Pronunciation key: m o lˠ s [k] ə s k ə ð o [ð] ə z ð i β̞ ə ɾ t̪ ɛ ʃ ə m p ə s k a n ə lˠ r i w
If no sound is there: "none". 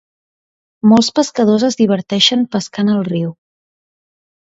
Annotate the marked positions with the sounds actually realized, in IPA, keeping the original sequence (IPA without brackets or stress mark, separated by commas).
p, z